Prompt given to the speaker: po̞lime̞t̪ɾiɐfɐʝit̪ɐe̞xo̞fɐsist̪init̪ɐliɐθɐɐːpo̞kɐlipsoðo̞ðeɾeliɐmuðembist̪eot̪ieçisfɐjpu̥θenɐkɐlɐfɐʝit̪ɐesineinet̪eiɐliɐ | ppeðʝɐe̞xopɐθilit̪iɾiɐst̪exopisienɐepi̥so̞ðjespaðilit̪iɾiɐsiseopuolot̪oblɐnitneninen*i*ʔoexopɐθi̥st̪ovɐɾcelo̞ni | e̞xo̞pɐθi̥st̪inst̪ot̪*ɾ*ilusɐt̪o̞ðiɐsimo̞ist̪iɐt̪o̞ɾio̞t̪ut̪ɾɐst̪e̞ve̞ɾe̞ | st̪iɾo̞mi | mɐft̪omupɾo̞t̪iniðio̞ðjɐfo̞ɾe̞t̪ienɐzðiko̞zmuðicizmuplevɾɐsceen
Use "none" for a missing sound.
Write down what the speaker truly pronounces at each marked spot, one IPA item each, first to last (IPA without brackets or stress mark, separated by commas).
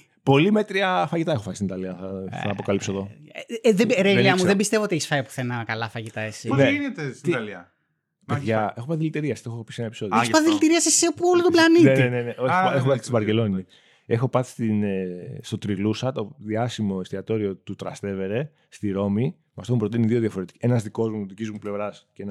e, ɾ